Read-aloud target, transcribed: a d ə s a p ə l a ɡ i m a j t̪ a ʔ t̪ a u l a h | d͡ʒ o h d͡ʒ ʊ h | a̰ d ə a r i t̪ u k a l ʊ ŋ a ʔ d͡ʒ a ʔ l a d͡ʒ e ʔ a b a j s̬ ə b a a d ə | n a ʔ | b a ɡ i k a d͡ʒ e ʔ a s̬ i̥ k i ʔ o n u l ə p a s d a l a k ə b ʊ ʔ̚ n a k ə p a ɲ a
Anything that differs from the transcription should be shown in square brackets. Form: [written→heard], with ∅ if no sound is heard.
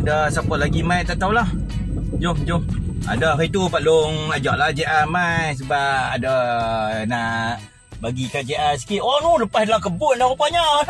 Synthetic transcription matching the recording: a d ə s a p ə l a ɡ i m a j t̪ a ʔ t̪ a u l a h | d͡ʒ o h d͡ʒ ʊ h | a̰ d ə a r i t̪ u [k→p] a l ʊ ŋ a [ʔ→∅] d͡ʒ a ʔ l a d͡ʒ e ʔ a [b→m] a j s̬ ə b a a d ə | n a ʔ | b a ɡ i k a d͡ʒ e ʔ a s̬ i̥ k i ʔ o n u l ə p a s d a l a k ə b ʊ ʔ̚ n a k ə p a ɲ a